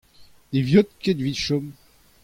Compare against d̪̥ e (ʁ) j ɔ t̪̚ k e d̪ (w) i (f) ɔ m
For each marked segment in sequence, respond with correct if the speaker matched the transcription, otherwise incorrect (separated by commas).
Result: incorrect, incorrect, incorrect